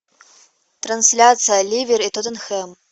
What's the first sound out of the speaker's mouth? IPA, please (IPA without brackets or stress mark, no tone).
t̪